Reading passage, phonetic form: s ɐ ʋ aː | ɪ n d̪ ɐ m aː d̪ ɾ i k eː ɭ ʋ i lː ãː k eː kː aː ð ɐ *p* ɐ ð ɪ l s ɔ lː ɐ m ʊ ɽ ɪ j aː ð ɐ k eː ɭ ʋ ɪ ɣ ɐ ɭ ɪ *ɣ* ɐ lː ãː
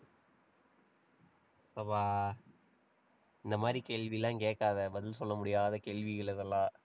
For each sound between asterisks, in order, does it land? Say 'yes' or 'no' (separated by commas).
no, no